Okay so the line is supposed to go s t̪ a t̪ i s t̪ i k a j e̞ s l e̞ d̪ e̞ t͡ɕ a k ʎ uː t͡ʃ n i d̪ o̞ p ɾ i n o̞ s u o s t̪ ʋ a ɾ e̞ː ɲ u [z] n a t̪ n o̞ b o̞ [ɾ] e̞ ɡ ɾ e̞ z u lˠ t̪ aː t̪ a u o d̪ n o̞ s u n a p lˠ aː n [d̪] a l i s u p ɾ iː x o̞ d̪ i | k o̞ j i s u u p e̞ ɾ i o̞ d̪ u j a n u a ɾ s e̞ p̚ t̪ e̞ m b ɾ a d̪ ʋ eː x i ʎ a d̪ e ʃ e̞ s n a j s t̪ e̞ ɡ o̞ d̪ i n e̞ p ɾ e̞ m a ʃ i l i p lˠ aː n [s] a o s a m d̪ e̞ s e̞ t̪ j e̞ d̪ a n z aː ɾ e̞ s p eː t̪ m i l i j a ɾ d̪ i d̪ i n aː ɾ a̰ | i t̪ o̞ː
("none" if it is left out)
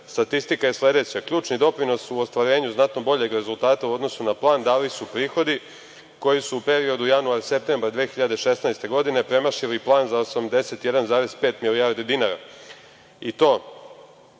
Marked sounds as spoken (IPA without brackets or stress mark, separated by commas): z, ʎ, d̪, z